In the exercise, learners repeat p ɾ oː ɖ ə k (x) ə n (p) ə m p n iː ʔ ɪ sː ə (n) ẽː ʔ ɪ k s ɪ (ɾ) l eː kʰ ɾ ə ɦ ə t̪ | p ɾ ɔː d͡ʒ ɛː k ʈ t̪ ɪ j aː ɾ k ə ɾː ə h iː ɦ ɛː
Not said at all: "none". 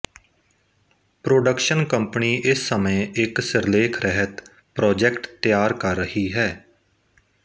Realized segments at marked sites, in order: ʃ, k, m, ɾ

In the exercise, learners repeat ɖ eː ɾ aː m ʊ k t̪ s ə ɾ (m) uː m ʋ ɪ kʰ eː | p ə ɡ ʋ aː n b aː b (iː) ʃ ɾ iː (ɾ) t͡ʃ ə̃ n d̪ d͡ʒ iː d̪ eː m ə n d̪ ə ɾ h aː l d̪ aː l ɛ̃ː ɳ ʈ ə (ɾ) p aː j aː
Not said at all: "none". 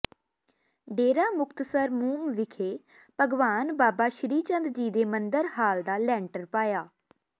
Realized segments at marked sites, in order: m, aː, none, ɾ

